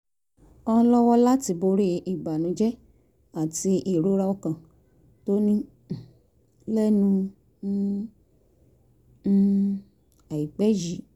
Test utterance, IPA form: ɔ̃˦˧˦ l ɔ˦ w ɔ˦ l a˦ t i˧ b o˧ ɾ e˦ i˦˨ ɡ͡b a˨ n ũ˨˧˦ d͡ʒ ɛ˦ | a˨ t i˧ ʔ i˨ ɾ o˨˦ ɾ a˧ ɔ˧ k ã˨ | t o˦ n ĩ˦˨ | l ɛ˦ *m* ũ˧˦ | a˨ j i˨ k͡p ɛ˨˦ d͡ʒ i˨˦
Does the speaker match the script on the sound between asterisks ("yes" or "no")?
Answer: no